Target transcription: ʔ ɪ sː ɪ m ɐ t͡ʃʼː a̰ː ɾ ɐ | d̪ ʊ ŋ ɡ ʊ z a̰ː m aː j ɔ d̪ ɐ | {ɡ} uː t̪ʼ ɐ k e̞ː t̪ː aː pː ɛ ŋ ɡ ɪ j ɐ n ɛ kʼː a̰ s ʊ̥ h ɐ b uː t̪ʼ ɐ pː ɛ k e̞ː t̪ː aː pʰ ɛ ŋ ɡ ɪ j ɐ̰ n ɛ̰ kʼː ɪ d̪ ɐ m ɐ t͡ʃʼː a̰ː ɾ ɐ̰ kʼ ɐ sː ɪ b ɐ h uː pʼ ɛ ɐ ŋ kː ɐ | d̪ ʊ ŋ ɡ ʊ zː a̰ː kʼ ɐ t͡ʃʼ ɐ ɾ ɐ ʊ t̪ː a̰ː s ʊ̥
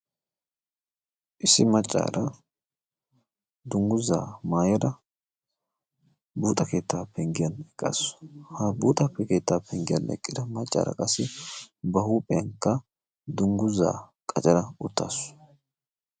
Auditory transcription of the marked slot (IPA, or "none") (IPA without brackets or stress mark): b